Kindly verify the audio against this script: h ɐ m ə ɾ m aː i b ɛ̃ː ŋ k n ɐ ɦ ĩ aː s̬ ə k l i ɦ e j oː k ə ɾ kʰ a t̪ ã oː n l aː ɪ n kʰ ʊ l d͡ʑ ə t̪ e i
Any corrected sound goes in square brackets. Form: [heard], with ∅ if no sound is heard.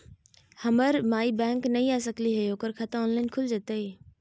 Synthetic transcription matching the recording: h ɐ m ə ɾ m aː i b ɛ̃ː ŋ k n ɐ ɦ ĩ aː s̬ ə k l i ɦ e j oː k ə ɾ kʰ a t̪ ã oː n l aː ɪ n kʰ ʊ l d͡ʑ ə t̪ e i

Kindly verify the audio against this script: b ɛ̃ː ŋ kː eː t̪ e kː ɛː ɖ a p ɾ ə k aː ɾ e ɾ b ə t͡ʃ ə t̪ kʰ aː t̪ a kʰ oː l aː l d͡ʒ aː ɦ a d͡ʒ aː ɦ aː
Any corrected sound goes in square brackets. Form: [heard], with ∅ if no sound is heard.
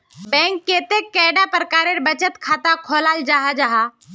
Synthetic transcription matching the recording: b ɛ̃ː ŋ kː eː t̪ e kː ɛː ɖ a p ɾ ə k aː ɾ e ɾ b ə t͡ʃ ə t̪ kʰ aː t̪ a kʰ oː l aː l d͡ʒ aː ɦ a d͡ʒ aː ɦ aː

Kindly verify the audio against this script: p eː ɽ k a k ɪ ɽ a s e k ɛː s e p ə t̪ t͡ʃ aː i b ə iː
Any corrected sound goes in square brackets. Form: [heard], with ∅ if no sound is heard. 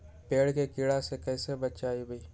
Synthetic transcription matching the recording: p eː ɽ k [e] k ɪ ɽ a s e k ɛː s e [b] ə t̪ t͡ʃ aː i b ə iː

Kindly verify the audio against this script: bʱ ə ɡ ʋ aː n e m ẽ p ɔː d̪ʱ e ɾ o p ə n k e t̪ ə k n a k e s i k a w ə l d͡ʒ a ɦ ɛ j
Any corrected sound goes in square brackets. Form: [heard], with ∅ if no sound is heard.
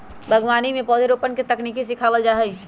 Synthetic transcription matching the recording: bʱ ə ɡ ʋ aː n [i] m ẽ p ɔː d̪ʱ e ɾ o p ə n k e t̪ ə k n [i] k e s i [kʰ] a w ə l d͡ʒ a ɦ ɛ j

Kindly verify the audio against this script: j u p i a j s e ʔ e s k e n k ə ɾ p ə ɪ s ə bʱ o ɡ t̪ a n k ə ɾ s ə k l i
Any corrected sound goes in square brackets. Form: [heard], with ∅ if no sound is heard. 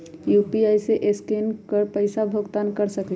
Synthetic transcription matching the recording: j u p i a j s e ʔ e s k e n k ə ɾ p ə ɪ s [a] bʱ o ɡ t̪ a n k ə ɾ s ə k l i

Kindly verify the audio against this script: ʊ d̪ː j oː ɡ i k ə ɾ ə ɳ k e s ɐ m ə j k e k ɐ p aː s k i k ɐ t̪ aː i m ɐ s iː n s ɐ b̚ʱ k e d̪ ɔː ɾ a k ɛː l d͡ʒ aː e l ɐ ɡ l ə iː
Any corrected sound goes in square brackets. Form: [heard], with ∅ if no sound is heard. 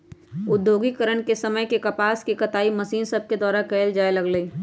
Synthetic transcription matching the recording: ʊ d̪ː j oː ɡ i k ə ɾ ə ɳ k e s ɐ m ə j k e k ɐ p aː s k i k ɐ t̪ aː i m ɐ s iː n s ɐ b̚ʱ k e d̪ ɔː ɾ a k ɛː l d͡ʒ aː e l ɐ ɡ l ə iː

